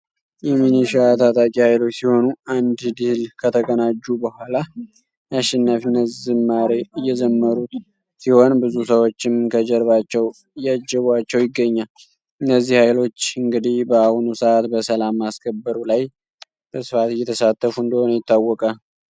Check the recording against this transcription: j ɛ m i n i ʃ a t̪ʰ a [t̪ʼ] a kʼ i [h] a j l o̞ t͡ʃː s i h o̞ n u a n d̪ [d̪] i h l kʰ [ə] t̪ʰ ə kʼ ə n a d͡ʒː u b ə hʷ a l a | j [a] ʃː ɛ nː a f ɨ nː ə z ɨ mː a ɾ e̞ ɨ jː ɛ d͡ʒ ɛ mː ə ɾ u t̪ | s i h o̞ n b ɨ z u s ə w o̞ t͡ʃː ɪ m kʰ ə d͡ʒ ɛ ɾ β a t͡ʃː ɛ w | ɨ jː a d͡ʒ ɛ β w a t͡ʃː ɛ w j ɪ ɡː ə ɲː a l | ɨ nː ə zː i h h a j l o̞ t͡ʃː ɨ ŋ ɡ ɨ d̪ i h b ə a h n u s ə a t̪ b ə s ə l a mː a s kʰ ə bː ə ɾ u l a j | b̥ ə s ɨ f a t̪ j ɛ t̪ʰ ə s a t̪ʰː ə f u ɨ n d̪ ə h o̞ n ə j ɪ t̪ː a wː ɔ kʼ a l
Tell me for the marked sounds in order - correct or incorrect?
correct, correct, correct, correct, correct

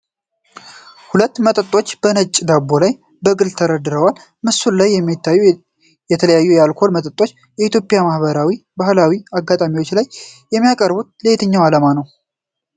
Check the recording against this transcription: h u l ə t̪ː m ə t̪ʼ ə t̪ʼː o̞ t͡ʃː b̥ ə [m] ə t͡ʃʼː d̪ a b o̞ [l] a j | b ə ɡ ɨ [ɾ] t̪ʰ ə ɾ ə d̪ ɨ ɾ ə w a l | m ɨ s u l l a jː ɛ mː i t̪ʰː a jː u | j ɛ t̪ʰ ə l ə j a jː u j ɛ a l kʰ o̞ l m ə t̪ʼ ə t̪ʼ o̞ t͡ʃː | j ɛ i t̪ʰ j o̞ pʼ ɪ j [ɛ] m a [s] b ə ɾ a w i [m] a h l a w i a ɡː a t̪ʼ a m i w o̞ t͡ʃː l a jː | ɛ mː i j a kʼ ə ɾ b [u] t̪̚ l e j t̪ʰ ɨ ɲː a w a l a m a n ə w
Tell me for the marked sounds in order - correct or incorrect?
incorrect: n, correct, incorrect: l, incorrect: a, incorrect: h, incorrect: b, correct

